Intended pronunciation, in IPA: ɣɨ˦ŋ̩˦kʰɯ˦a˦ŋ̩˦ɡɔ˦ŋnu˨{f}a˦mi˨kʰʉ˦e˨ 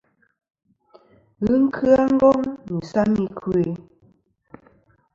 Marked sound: incorrect: s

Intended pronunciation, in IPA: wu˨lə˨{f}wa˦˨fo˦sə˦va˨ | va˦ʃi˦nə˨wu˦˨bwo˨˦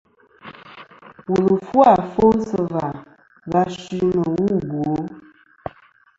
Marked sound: correct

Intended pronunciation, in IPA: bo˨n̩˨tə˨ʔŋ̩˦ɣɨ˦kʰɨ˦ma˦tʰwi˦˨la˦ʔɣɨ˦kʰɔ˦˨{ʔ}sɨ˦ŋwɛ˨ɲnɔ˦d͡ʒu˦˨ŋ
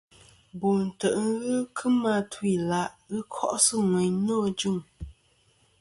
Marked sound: correct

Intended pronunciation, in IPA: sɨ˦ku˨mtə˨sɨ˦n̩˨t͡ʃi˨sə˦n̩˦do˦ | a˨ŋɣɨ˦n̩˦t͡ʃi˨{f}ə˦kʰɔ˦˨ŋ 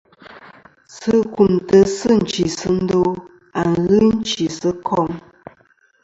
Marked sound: incorrect: s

